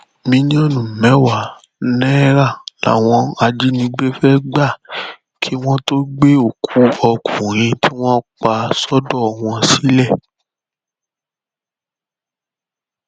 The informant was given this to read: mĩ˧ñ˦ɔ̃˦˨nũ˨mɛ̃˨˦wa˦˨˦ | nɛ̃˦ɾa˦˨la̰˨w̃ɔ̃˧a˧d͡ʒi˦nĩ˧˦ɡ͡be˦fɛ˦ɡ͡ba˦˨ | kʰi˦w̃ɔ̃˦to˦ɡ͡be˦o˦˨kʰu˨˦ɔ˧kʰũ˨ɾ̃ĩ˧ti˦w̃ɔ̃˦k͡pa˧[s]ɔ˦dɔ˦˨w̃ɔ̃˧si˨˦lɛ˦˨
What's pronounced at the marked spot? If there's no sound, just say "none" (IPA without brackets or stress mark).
s